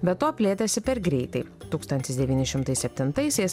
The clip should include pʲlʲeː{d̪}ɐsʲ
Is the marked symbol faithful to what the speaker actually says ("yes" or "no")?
no